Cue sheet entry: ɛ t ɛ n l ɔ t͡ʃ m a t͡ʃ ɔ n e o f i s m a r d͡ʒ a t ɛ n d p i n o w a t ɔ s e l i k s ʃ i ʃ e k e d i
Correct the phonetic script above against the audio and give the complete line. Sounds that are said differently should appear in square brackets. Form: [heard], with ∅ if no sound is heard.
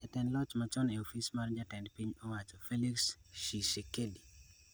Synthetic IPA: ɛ t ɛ n l ɔ t͡ʃ m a t͡ʃ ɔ n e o f i s m a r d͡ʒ a t ɛ n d p i [ɲ] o w a [t͡ʃ] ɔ [f] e l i k s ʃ i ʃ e k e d i